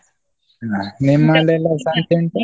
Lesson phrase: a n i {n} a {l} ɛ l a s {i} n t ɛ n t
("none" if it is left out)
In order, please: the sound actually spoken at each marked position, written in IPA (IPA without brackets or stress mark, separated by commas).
m, l, a